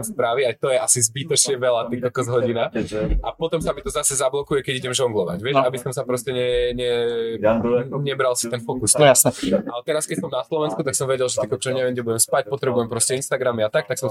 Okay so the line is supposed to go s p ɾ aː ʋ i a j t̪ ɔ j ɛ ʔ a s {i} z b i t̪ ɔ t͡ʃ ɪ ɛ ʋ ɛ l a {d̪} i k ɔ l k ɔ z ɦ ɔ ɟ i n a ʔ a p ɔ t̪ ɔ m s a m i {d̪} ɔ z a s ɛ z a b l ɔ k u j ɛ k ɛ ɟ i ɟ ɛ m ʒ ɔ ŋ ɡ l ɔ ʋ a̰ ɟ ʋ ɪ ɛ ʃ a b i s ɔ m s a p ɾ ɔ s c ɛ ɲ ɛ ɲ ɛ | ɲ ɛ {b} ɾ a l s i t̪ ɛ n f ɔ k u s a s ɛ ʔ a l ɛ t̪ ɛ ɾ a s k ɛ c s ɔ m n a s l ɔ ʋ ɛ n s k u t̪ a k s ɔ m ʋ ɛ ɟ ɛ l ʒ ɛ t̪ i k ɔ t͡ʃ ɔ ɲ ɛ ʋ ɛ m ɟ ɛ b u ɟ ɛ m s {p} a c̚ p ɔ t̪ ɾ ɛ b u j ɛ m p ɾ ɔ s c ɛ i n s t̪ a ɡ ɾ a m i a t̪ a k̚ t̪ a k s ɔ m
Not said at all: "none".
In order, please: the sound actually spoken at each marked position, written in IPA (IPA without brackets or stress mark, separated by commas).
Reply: i, t̪, t̪, b, p